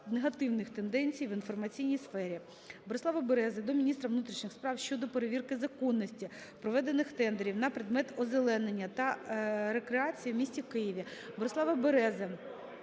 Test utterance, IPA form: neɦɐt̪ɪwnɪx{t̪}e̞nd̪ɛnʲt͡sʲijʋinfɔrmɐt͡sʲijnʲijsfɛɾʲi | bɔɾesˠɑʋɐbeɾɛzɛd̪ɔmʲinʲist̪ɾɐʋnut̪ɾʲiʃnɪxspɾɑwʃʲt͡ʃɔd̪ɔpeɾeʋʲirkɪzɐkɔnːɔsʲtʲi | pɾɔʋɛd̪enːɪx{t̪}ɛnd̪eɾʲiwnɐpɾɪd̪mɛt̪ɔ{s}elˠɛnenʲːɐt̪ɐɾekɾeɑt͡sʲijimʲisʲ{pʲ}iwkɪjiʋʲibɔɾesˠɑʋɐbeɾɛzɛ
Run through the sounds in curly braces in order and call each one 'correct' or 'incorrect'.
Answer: correct, correct, incorrect, incorrect

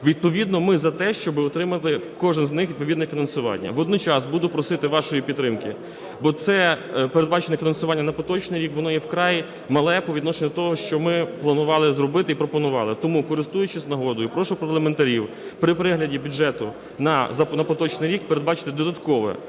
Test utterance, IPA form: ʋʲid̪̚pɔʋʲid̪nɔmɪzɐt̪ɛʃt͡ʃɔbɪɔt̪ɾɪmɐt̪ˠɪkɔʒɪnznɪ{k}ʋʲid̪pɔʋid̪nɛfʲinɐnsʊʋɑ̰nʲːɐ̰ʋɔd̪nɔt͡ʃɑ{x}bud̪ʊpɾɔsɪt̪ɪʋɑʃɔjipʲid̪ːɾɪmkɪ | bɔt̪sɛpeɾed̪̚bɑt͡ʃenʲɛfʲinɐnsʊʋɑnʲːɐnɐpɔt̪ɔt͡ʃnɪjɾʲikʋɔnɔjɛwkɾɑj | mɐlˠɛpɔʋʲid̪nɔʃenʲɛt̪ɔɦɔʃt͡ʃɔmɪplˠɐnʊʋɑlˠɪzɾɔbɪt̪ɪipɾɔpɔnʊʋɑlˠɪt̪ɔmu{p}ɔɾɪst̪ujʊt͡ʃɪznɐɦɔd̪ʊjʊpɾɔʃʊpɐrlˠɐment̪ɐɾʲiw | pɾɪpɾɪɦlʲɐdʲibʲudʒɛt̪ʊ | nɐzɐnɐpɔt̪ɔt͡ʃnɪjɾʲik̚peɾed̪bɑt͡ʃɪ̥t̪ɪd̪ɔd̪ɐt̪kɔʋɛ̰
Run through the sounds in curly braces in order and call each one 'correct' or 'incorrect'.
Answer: incorrect, incorrect, incorrect

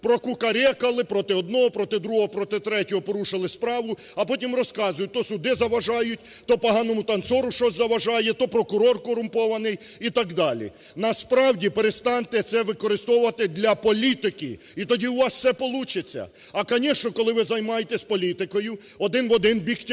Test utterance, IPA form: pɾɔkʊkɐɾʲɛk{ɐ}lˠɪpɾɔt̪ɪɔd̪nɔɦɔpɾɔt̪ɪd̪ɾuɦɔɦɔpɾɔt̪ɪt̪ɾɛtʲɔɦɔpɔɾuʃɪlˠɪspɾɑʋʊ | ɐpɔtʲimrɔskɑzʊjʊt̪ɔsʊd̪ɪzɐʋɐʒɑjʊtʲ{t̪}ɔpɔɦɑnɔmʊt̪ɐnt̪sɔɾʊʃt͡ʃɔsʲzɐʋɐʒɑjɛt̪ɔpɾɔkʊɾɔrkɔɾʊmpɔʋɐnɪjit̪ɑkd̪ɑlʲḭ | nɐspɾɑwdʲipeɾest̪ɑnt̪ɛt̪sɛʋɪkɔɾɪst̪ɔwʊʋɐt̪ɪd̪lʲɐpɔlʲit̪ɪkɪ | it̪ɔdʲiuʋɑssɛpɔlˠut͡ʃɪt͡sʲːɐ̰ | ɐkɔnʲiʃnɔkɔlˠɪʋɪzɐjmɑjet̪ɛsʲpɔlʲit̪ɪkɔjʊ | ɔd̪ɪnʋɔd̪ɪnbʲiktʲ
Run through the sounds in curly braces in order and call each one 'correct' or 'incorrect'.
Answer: correct, correct

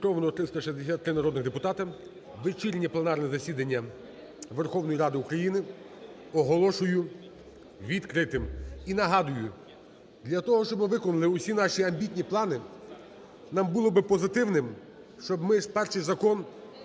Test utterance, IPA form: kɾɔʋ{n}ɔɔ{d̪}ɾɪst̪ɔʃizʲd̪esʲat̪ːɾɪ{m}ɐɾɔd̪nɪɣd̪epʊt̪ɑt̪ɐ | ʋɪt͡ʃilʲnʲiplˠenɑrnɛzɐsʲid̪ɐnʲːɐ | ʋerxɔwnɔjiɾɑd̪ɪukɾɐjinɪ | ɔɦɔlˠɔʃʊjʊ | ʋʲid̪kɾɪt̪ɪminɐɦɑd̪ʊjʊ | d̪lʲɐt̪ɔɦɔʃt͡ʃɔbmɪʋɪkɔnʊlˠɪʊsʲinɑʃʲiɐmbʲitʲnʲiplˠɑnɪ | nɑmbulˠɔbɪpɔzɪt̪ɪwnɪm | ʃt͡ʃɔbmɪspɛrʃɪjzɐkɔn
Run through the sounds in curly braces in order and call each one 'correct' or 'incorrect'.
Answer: correct, incorrect, incorrect

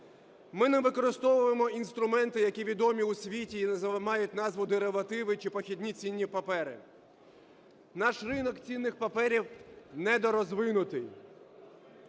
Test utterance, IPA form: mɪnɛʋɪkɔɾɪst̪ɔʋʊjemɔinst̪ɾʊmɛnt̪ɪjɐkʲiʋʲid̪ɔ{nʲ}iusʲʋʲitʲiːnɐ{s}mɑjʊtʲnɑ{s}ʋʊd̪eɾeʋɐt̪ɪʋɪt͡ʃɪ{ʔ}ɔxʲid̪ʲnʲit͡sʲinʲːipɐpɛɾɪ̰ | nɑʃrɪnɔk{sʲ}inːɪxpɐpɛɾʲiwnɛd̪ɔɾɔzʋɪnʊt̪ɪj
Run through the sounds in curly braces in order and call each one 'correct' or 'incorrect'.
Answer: incorrect, incorrect, incorrect, incorrect, incorrect

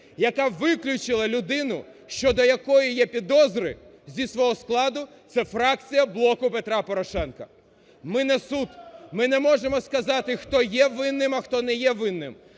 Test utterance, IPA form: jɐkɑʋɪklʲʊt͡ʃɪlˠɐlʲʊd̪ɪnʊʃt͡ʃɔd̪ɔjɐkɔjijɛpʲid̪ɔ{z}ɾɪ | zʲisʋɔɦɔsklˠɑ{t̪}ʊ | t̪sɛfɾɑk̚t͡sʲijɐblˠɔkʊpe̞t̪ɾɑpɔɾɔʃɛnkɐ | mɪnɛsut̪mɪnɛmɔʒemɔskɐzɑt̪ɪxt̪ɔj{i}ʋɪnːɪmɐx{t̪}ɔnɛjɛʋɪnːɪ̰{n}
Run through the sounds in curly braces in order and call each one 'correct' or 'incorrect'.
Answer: correct, incorrect, incorrect, correct, incorrect

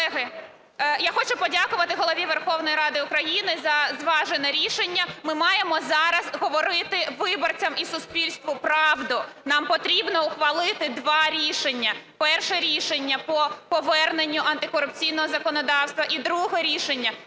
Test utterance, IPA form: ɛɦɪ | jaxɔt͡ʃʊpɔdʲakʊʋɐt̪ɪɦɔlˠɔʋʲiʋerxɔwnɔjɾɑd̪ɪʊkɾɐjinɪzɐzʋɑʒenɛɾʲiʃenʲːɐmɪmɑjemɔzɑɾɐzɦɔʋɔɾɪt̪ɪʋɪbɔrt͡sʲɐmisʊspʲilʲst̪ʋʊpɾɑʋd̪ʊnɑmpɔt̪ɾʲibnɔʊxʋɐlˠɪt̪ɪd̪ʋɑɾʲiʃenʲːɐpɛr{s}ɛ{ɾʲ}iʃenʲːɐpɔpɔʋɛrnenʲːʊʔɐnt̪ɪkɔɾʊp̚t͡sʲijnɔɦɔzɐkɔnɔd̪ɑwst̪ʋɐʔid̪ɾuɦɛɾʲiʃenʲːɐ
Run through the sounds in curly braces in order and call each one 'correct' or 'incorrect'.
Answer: incorrect, correct

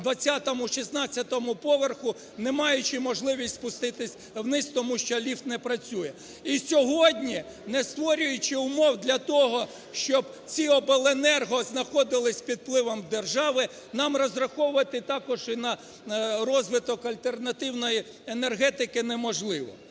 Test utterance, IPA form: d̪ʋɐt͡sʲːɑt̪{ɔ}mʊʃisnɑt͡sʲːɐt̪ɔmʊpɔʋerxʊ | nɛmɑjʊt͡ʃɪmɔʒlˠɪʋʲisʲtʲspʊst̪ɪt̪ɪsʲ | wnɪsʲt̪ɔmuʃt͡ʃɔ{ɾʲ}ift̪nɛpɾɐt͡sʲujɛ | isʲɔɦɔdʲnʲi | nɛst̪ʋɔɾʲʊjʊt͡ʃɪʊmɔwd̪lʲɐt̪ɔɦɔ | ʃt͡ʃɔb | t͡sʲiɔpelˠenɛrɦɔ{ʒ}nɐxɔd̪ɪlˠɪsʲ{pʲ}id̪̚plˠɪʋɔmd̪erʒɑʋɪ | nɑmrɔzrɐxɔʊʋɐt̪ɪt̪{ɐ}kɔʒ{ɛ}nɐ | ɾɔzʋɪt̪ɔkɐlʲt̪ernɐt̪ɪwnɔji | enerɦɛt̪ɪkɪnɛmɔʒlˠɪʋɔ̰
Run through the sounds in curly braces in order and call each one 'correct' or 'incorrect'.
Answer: correct, incorrect, incorrect, correct, incorrect, incorrect

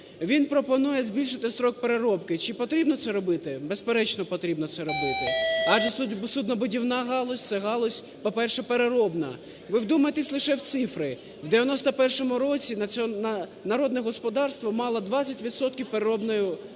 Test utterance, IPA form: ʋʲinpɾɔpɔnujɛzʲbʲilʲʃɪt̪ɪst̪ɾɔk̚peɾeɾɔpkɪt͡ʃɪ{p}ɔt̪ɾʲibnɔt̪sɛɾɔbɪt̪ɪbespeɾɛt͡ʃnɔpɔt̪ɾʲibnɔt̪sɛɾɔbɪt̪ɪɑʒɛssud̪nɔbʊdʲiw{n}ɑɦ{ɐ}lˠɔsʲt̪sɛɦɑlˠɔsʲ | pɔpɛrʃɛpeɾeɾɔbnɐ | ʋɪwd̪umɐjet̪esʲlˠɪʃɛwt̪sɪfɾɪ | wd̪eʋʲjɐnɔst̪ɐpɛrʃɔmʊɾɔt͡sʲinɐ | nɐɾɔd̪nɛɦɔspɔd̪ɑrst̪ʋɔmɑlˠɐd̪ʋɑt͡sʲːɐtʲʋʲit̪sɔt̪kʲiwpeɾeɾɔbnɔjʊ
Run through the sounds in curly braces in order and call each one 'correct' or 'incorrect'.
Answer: correct, correct, incorrect

